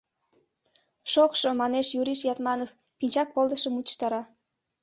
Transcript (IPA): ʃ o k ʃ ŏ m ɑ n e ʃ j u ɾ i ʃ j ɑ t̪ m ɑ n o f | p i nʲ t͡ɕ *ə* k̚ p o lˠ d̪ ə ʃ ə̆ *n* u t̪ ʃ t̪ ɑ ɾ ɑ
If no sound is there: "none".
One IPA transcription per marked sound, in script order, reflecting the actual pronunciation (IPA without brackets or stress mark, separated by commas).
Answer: ɑ, m